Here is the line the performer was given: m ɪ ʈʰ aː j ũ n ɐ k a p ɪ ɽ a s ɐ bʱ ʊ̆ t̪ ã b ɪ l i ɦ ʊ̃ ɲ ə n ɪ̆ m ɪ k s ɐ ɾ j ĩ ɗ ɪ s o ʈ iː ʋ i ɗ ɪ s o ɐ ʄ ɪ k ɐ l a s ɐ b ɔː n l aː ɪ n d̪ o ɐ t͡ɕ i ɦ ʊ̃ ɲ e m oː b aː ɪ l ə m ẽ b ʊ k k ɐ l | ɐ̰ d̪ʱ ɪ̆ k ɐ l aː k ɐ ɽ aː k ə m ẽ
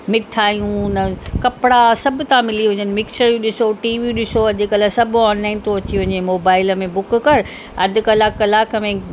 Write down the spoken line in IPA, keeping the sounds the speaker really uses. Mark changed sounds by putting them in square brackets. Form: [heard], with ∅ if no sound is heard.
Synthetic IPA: m ɪ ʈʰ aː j ũ n ɐ k [ɐ] p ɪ ɽ a s ɐ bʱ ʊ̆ t̪ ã [m] ɪ l i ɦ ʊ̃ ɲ ə n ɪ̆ m ɪ k s [ə] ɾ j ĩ ɗ ɪ s o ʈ iː ʋ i ɗ ɪ s o ɐ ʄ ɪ k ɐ l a s ɐ b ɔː n l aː ɪ n [t̪] o ɐ t͡ɕ i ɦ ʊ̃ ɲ e m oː b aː ɪ l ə m ẽ b ʊ k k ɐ [ɾ] | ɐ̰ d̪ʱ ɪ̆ k ɐ l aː k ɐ [l] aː k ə m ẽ